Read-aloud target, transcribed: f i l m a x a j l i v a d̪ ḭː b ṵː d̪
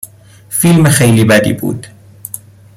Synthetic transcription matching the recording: f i l m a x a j l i b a d̪ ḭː b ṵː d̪